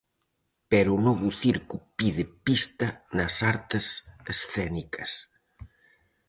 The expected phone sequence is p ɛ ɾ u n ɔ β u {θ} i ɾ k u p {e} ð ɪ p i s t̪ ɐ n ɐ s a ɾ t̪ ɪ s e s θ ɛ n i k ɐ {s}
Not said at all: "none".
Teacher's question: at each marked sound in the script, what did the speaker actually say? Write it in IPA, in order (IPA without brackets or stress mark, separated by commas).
θ, i, s